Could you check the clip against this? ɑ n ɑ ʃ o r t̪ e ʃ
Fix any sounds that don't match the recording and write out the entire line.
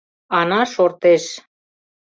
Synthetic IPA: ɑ n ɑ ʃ o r t̪ e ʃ